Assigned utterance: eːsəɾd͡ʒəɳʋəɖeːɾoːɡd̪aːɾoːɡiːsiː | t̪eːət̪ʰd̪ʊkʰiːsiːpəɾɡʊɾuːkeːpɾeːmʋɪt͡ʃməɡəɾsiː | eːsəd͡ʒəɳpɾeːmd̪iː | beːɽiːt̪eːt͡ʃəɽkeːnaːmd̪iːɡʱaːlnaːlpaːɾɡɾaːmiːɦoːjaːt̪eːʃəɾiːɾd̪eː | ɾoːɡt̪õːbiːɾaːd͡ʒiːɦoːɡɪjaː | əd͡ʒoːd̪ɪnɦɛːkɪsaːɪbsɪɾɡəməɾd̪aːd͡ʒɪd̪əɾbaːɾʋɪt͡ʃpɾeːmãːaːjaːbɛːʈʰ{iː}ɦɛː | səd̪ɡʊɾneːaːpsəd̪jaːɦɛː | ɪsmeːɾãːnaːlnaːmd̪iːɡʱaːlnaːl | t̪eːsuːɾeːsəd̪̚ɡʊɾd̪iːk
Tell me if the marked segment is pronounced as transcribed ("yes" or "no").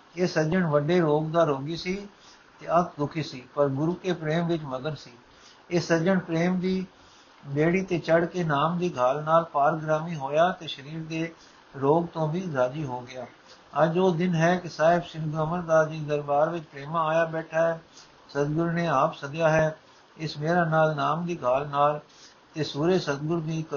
no